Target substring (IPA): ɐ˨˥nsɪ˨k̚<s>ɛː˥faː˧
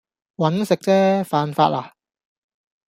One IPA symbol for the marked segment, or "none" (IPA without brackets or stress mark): t͡s